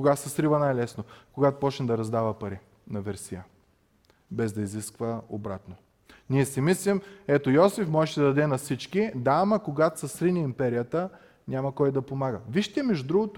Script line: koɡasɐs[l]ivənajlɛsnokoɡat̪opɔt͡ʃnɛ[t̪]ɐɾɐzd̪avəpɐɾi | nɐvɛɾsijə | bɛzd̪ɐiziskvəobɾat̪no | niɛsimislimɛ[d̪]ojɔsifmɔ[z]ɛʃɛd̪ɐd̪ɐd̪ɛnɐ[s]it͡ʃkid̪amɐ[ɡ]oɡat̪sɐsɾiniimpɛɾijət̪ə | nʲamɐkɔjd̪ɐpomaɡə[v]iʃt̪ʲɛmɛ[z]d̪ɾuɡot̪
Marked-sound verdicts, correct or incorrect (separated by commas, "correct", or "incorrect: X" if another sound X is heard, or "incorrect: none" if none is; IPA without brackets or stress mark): incorrect: ɾ, incorrect: d̪, incorrect: t̪, incorrect: ʒ, correct, incorrect: k, correct, incorrect: ʒ